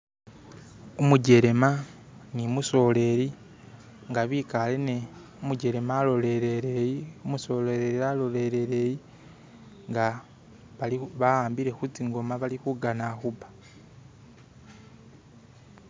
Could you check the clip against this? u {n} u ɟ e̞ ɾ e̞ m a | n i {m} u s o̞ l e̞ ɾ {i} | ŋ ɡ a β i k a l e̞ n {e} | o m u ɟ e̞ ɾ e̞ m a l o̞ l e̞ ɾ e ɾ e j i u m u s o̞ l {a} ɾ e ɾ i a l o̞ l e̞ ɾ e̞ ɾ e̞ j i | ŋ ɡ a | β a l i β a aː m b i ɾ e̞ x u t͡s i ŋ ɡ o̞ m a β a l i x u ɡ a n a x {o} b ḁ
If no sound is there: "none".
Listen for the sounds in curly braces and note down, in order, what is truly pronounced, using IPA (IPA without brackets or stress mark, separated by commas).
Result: m, m, i, e, e, u